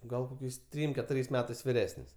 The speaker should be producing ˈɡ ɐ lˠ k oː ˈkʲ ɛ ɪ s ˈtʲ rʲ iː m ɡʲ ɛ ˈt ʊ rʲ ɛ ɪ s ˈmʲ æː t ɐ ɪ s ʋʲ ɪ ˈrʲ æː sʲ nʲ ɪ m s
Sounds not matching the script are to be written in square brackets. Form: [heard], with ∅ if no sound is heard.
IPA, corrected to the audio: ˈɡ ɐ lˠ k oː ˈkʲ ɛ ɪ s ˈtʲ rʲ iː m [kʲ] ɛ ˈt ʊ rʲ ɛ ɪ s ˈmʲ æː t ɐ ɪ s ʋʲ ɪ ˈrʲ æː sʲ nʲ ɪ [∅] s

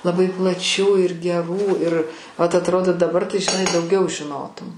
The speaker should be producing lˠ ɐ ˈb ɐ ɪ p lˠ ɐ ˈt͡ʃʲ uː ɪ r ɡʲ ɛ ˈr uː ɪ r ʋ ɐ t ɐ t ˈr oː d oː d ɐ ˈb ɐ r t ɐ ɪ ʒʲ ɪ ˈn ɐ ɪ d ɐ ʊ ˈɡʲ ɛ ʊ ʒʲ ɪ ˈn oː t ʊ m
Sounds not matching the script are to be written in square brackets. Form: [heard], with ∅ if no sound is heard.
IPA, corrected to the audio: lˠ ɐ ˈb ɐ ɪ p lˠ ɐ ˈt͡ʃʲ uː ɪ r ɡʲ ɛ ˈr uː ɪ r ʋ ɐ t ɐ t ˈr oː d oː d ɐ ˈb ɐ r t ɐ ɪ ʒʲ ɪ ˈn ɐ ɪ d ɐ ʊ ˈɡʲ ɛ ʊ ʒʲ ɪ ˈn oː t ʊ m

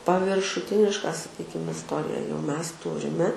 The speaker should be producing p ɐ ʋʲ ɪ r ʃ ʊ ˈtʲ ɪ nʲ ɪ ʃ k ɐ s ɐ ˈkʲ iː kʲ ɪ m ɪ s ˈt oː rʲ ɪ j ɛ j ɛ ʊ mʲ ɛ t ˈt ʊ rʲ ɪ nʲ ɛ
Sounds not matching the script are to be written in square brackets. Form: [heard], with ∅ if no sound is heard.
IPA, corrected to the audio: p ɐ ʋʲ ɪ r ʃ ʊ ˈtʲ ɪ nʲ ɪ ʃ k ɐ s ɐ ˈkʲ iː kʲ ɪ m ɪ s ˈt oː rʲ ɪ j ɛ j ɛ ʊ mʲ ɛ [s] ˈt ʊ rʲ ɪ [mʲ] ɛ

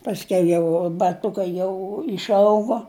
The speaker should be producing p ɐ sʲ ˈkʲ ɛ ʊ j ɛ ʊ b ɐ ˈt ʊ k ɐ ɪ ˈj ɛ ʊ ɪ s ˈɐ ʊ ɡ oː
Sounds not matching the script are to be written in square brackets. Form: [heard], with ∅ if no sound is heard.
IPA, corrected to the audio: p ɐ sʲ ˈkʲ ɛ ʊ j ɛ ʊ b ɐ ˈt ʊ k ɐ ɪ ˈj ɛ ʊ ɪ [ʃ] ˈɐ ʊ ɡ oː

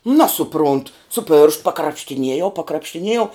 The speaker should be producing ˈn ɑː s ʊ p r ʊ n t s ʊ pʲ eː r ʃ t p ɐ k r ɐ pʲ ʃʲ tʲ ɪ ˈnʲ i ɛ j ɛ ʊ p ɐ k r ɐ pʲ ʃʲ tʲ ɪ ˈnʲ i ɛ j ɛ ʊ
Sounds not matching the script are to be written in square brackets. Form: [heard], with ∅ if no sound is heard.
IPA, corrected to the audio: ˈn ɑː s ʊ p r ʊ n t s ʊ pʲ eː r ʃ t p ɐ k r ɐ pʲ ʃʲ tʲ ɪ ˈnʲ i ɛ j ɛ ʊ p ɐ k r ɐ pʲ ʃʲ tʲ ɪ ˈnʲ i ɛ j ɛ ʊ

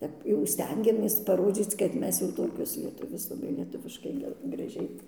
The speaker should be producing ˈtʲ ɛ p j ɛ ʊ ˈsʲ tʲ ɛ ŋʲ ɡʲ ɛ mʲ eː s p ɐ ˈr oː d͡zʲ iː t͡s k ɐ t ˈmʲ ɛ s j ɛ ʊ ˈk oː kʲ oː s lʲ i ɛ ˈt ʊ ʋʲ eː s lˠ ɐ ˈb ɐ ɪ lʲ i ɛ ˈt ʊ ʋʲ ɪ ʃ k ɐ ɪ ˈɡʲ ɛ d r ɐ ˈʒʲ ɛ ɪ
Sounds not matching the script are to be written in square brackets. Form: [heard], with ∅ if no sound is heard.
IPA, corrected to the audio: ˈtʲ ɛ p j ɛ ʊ ˈsʲ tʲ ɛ ŋʲ ɡʲ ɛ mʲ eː s p ɐ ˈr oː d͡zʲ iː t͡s k ɐ t ˈmʲ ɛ s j ɛ ʊ [ˈt] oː kʲ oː s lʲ i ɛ ˈt ʊ ʋʲ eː s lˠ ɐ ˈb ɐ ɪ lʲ i ɛ ˈt ʊ ʋʲ ɪ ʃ k ɐ ɪ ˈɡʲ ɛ [ɡ] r ɐ ˈʒʲ ɛ ɪ

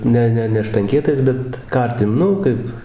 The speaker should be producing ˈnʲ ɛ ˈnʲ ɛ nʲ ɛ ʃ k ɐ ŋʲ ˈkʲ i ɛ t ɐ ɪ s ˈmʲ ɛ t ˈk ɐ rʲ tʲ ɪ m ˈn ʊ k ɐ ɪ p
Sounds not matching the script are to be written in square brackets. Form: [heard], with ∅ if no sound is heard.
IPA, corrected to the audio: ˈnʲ ɛ ˈnʲ ɛ nʲ ɛ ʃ [t] ɐ ŋʲ ˈkʲ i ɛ t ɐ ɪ s [ˈbʲ] ɛ t ˈk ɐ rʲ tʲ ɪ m ˈn ʊ k ɐ ɪ p

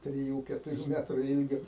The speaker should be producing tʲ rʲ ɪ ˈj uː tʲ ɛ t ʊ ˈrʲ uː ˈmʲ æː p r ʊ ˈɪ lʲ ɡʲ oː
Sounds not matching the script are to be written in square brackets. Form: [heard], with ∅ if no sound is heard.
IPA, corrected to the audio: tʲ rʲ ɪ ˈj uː [kʲ] ɛ t ʊ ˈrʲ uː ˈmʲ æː [t] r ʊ ˈɪ lʲ ɡʲ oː

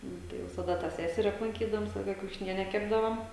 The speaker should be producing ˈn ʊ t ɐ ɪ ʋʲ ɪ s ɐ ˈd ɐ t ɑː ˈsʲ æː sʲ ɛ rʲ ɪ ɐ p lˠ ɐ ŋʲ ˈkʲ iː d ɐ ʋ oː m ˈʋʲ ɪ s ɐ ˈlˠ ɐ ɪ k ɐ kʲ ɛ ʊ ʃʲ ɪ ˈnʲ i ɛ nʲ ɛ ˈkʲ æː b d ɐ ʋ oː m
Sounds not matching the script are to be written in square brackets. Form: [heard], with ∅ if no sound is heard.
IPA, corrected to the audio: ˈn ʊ t ɐ ɪ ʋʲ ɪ s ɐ ˈd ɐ t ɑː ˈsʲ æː sʲ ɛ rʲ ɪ ɐ p lˠ ɐ ŋʲ ˈkʲ iː d ɐ ʋ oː m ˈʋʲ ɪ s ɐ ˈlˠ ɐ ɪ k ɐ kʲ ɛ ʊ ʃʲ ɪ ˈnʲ i ɛ nʲ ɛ ˈkʲ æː b d ɐ ʋ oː m

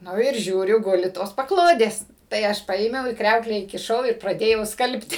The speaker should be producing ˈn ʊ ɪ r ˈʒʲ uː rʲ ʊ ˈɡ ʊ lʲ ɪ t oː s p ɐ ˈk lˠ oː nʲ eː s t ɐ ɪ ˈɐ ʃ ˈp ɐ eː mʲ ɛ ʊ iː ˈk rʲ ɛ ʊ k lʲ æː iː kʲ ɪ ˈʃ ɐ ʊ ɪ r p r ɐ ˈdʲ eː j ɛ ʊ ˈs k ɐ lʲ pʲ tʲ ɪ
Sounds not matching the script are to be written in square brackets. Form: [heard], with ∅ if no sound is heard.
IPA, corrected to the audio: ˈn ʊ ɪ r ˈʒʲ uː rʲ ʊ ˈɡ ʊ lʲ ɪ t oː s p ɐ ˈk lˠ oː [dʲ] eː s t ɐ ɪ ˈɐ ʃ ˈp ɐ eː mʲ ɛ ʊ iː ˈk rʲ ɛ ʊ k lʲ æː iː kʲ ɪ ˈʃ ɐ ʊ ɪ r p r ɐ ˈdʲ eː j ɛ ʊ ˈs k ɐ lʲ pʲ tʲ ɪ

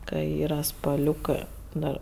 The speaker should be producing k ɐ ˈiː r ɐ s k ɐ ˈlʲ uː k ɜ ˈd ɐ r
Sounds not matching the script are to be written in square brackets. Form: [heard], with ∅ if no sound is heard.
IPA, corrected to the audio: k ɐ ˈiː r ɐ s [p] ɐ ˈlʲ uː k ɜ ˈd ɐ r

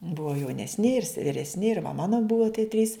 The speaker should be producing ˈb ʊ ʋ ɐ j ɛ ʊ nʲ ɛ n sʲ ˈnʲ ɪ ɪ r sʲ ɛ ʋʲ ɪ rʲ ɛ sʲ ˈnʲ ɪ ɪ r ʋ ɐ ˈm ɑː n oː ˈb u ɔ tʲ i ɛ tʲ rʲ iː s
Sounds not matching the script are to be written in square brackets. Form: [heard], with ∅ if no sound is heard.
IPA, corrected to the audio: ˈb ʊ ʋ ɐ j ɛ ʊ nʲ ɛ [∅] sʲ ˈnʲ ɪ ɪ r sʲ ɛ ʋʲ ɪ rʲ ɛ sʲ ˈnʲ ɪ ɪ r ʋ ɐ ˈm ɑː n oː ˈb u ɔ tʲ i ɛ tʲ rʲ iː s

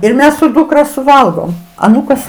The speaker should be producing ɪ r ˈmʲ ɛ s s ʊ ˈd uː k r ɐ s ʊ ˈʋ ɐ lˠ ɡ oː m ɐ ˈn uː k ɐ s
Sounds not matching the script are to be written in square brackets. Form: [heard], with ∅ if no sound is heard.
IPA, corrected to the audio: ɪ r ˈmʲ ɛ s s ʊ ˈd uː k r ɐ s ʊ ˈʋ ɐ lˠ ɡ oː m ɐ ˈn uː k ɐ s

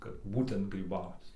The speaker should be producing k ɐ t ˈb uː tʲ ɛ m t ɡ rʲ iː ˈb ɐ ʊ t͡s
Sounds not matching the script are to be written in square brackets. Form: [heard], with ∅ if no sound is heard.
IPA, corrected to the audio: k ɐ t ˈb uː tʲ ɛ [n] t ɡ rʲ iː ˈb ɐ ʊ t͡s

